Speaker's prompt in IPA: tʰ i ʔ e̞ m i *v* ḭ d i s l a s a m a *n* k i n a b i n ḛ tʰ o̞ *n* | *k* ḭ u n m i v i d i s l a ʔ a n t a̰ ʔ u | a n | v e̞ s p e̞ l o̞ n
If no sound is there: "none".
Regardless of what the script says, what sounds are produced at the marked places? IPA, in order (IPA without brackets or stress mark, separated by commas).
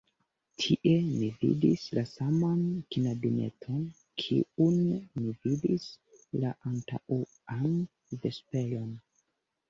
v, n, n, kʰ